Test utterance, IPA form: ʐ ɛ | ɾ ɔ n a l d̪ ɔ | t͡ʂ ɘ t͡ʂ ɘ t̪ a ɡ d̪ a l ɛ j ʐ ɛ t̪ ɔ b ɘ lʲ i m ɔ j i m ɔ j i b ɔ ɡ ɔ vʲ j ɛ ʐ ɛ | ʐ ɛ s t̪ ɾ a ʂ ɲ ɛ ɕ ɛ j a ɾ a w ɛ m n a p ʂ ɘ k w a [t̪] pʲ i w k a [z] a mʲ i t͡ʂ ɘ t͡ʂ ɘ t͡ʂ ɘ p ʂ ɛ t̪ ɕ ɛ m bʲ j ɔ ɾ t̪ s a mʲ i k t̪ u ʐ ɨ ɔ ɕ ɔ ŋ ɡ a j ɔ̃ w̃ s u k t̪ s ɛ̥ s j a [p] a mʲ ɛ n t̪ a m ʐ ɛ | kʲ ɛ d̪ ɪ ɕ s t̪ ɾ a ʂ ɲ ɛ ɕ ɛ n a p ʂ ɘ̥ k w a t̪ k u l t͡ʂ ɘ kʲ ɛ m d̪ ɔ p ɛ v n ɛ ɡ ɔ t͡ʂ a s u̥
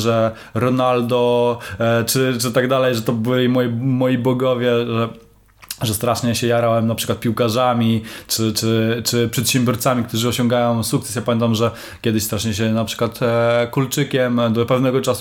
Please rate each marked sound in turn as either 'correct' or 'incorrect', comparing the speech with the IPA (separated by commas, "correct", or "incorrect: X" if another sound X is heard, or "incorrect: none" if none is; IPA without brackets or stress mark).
correct, incorrect: ʐ, correct